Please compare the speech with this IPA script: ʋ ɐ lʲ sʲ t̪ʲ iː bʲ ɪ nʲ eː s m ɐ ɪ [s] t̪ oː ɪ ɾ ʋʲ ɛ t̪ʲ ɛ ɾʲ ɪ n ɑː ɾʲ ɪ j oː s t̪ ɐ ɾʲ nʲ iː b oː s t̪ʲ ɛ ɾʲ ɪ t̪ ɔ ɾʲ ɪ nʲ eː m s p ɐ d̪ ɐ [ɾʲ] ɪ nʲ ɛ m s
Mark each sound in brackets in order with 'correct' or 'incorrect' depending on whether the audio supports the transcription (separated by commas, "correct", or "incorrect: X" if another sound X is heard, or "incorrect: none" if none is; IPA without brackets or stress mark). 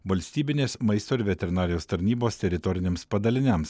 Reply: correct, incorrect: lʲ